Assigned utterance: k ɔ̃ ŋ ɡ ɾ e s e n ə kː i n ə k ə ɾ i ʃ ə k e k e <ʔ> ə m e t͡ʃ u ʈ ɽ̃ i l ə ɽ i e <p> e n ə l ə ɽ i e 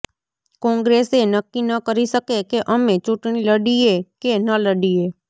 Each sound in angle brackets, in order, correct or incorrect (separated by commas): correct, incorrect